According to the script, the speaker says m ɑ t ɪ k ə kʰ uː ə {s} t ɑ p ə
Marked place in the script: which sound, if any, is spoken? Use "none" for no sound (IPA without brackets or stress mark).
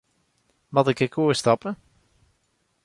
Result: s